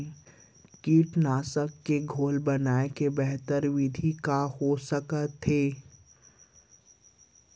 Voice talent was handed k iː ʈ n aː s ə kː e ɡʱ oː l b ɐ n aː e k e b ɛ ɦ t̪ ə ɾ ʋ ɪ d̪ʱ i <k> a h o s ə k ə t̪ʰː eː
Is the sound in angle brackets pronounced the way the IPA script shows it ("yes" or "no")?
yes